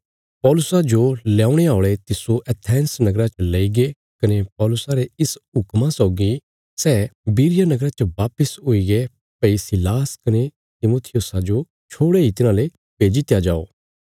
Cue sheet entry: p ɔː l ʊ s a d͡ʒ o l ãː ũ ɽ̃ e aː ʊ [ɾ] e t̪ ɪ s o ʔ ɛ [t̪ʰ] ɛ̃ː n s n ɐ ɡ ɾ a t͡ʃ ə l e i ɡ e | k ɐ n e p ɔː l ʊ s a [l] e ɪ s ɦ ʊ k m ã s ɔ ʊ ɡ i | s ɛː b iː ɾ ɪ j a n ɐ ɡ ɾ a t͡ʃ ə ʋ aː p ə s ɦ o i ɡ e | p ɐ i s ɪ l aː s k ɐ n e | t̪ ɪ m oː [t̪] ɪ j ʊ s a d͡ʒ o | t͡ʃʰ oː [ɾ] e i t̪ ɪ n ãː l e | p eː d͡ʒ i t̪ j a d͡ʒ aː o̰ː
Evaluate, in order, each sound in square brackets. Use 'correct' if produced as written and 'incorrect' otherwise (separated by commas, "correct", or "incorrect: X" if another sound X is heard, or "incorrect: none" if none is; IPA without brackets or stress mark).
incorrect: ɭ, correct, incorrect: ɾ, incorrect: t̪ʰ, incorrect: ɽ